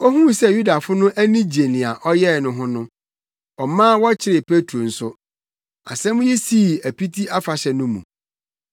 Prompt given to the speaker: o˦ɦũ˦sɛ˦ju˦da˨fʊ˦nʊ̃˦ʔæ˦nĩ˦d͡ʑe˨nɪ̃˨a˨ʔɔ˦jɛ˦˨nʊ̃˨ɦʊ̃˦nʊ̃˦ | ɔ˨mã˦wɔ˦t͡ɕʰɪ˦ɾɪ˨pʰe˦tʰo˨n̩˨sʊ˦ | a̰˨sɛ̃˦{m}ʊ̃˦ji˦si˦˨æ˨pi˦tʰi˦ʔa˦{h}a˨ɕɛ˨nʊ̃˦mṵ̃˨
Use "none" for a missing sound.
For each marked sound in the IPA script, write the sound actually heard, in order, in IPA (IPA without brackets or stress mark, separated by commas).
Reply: m, f